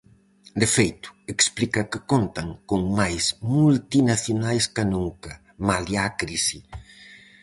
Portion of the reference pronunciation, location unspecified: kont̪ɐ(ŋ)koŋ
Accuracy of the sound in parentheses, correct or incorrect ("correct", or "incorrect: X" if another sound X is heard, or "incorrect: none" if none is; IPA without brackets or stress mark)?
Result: correct